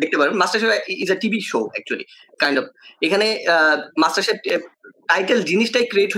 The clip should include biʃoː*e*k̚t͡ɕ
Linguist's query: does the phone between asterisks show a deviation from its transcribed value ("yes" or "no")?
yes